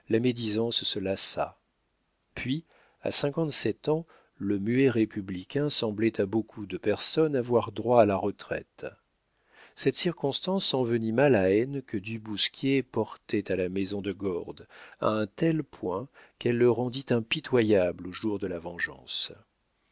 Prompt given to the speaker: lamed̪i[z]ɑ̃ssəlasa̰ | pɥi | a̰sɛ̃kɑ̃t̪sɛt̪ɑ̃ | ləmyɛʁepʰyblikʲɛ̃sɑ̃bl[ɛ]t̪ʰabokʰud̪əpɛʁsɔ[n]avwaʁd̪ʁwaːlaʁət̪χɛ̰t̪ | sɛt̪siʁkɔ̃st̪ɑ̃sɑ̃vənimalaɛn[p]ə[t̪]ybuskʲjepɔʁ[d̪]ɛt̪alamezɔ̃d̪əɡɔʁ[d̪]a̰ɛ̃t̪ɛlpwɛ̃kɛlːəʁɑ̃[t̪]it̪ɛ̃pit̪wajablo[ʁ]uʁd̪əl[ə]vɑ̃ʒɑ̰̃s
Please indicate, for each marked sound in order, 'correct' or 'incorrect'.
correct, correct, correct, incorrect, incorrect, incorrect, correct, incorrect, incorrect, incorrect

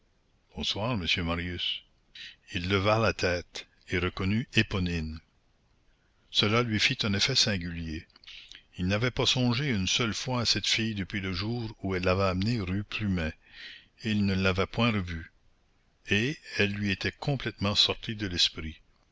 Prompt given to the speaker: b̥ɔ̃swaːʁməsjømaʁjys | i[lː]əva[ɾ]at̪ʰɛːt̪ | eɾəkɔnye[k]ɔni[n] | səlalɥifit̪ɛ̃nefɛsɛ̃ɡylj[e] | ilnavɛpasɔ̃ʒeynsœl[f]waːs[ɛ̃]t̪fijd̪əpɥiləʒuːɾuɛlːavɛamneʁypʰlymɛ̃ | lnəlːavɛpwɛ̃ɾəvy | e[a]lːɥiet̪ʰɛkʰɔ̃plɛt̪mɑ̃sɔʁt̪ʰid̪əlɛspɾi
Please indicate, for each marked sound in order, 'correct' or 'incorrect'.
correct, incorrect, incorrect, correct, correct, correct, incorrect, incorrect

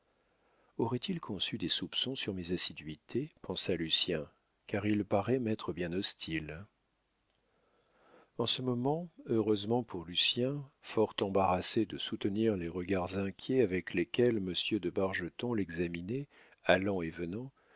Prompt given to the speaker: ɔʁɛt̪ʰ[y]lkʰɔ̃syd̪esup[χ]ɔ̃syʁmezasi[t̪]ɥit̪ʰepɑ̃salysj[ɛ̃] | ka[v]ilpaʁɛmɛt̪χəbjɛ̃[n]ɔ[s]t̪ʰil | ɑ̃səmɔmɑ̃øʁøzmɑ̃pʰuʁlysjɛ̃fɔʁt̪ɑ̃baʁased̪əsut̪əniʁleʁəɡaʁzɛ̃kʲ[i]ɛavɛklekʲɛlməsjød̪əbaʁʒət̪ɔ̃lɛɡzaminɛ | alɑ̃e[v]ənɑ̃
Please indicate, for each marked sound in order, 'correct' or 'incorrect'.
incorrect, incorrect, incorrect, correct, incorrect, correct, correct, incorrect, correct

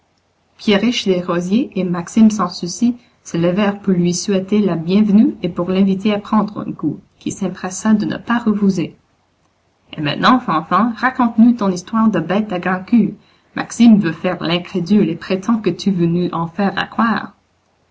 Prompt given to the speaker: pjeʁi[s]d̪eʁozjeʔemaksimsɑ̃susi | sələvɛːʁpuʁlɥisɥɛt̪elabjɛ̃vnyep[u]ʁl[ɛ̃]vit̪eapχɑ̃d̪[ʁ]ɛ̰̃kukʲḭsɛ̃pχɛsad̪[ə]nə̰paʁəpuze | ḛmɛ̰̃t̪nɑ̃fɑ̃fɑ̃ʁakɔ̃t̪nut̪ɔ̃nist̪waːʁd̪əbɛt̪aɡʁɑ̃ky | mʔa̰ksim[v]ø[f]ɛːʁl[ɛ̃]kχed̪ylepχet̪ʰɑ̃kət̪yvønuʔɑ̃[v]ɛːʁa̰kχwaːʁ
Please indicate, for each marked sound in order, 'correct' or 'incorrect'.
incorrect, correct, correct, correct, correct, correct, correct, correct, incorrect

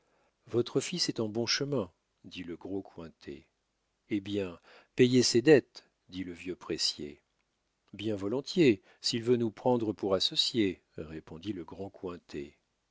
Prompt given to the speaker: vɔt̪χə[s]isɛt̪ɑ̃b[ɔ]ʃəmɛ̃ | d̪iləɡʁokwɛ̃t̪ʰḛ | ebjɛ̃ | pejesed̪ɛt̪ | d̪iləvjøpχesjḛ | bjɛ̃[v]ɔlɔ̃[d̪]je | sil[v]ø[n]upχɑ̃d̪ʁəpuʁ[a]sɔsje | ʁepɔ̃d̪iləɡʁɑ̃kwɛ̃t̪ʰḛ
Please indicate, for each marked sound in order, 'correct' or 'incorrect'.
incorrect, incorrect, correct, incorrect, correct, correct, correct

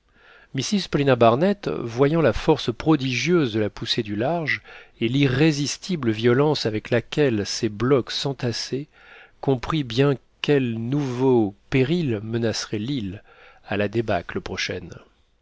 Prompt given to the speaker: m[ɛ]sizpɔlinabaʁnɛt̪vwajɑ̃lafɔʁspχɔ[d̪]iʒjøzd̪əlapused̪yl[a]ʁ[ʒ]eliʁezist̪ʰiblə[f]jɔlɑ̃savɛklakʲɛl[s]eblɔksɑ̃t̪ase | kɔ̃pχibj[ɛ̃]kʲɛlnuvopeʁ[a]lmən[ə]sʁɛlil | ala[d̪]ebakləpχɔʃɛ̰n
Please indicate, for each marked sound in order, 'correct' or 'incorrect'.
incorrect, correct, correct, correct, incorrect, correct, correct, incorrect, incorrect, correct

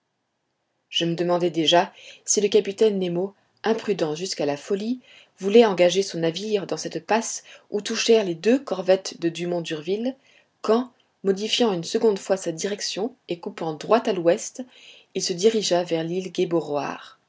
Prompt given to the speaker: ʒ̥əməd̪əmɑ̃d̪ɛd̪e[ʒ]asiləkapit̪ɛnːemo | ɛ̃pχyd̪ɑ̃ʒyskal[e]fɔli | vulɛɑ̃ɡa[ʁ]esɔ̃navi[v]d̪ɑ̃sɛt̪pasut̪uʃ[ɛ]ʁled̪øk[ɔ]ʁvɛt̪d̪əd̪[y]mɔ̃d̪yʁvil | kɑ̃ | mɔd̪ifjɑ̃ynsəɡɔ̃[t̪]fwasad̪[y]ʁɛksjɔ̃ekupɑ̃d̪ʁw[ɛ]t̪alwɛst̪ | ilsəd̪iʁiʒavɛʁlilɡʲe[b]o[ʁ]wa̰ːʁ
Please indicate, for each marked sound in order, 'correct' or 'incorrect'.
correct, incorrect, incorrect, incorrect, correct, correct, correct, incorrect, incorrect, incorrect, correct, correct

